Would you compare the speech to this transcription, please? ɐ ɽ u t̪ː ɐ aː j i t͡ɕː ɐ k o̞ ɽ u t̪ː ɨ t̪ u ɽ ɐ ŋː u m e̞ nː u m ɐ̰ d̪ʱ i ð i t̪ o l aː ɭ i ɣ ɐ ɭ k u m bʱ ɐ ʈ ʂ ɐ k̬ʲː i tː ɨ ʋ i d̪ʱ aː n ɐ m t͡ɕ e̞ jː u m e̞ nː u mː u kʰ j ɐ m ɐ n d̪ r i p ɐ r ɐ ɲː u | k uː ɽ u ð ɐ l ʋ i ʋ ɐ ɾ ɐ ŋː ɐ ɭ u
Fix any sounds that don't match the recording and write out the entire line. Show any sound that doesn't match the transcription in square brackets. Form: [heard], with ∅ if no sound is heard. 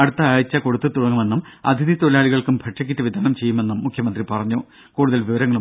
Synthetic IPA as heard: ɐ ɽ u t̪ː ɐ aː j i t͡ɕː ɐ k o̞ ɽ u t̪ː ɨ t̪ u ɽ ɐ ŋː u m e̞ nː u m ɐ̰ d̪ʱ i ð i t̪ o l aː ɭ i ɣ ɐ ɭ k u m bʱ ɐ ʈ ʂ ɐ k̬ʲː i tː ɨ ʋ i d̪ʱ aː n ɐ m t͡ɕ e̞ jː u m e̞ nː u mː u kʰ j ɐ m ɐ n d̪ r i p ɐ r ɐ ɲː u | k uː ɽ u ð ɐ l ʋ i ʋ ɐ ɾ ɐ ŋː ɐ ɭ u